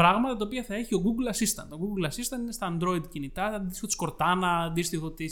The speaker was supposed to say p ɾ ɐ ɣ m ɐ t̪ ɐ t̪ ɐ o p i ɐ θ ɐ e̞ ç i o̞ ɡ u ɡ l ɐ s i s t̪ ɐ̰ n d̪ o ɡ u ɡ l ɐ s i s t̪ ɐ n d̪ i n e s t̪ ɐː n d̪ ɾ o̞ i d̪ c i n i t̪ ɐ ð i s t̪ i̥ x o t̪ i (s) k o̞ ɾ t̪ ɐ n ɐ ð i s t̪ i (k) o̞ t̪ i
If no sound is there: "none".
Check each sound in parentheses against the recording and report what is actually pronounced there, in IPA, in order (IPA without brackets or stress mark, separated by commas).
s, x